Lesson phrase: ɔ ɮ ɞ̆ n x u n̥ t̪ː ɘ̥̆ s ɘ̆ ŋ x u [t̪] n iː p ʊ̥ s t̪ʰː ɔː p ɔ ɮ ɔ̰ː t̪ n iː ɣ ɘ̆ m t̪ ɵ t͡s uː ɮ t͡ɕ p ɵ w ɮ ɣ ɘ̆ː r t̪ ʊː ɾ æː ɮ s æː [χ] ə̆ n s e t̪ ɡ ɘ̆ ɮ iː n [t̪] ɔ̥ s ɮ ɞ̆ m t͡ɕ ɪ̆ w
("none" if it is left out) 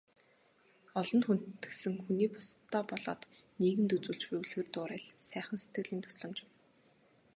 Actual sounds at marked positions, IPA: none, χ, t̪ʰ

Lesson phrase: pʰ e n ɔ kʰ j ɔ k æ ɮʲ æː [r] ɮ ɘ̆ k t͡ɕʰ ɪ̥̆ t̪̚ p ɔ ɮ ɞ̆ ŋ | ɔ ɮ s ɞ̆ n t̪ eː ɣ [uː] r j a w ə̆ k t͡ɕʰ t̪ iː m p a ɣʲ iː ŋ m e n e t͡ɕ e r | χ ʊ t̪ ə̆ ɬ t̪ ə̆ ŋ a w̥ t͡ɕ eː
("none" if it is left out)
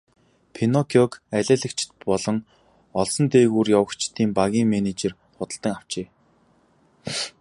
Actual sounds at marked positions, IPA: none, uː

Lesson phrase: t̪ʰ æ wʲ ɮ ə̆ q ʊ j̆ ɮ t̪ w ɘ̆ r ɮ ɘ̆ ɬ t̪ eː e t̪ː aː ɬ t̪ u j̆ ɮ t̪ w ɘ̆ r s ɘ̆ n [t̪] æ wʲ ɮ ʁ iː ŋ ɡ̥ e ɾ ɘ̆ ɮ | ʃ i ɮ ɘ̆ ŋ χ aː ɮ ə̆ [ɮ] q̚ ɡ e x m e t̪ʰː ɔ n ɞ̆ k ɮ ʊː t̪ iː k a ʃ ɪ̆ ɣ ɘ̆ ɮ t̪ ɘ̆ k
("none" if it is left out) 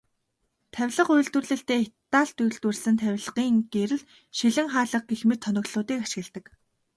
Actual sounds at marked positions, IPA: t̪ʰ, none

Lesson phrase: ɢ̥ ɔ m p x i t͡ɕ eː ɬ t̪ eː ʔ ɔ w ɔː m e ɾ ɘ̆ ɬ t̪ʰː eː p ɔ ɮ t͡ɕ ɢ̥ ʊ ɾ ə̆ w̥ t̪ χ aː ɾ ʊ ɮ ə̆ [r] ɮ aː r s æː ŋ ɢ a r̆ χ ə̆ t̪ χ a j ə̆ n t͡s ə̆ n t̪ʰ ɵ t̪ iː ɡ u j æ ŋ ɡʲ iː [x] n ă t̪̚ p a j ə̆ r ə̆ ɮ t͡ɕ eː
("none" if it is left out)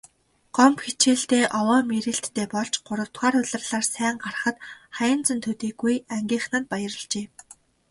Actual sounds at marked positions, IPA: r, χ

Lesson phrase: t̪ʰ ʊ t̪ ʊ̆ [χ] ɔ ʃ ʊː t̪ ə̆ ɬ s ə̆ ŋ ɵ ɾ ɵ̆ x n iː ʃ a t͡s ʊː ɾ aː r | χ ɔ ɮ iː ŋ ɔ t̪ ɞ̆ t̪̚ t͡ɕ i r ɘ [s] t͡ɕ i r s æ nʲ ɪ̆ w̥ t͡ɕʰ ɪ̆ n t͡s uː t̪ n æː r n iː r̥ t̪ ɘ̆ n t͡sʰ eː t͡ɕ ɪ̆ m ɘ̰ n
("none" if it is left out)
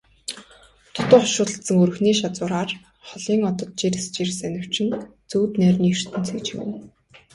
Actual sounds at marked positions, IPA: χ, s

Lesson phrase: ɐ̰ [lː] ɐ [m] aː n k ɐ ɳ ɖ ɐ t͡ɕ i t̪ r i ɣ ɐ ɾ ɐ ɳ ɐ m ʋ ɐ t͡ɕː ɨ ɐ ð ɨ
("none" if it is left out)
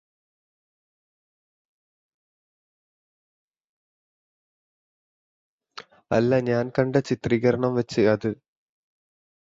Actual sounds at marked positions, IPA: lː, ɲ

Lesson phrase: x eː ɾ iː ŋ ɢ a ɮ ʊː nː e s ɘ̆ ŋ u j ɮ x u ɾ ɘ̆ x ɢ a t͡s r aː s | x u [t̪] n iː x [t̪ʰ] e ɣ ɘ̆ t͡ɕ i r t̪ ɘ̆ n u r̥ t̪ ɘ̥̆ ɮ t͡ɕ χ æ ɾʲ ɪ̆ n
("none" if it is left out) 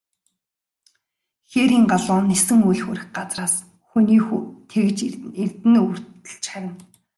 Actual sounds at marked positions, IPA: none, t̪ʰ

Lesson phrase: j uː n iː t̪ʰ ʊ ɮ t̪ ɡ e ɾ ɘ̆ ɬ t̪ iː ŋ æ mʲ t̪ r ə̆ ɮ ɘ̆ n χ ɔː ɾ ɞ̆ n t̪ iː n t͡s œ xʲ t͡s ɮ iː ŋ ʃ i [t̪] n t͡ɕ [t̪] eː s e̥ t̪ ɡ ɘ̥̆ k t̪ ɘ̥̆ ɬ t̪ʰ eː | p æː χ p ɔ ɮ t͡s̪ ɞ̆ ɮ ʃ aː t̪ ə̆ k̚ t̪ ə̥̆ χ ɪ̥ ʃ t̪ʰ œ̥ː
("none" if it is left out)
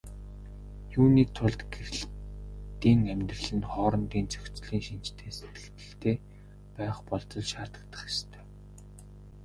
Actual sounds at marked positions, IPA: none, t̪ʰ

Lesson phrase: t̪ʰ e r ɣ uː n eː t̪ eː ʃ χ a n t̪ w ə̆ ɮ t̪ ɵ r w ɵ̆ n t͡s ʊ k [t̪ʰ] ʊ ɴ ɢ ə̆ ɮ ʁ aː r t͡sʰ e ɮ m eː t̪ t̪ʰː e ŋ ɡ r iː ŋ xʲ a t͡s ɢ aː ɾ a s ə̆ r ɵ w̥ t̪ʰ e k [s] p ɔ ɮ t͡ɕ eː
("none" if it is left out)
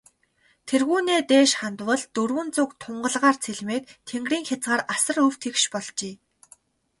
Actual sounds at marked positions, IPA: t̪ʰ, ʃ

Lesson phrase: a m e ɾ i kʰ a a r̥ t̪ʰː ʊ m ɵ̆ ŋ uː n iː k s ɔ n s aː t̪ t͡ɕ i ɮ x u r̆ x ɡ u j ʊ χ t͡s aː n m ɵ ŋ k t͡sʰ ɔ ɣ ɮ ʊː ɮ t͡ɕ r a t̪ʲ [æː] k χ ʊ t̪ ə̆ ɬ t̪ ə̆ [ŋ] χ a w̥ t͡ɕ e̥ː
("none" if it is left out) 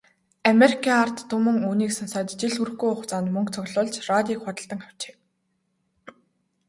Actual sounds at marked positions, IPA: iː, ŋ

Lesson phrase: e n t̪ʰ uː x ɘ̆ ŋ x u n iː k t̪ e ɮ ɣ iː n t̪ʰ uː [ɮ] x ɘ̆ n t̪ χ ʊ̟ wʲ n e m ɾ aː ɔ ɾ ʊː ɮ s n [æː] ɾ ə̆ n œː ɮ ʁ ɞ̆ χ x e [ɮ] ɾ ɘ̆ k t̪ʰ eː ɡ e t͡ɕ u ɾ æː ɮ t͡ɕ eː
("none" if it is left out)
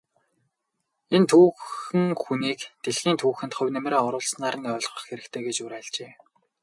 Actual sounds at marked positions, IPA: none, aː, none

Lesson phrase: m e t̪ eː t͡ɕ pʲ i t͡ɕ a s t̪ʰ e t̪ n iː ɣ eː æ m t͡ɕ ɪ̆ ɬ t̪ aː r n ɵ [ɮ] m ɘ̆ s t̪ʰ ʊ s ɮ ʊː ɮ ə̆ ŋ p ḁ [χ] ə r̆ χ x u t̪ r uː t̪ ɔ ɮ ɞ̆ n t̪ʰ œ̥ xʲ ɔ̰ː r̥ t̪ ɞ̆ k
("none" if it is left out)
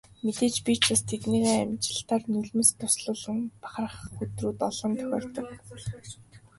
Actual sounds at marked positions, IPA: ɮ, χ

